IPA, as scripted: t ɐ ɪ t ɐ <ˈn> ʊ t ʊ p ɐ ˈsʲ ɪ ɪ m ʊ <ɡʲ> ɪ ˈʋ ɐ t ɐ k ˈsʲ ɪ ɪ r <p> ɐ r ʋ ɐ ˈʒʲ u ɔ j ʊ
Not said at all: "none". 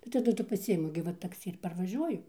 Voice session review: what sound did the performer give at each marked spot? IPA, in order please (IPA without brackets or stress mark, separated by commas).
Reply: d, ɡʲ, p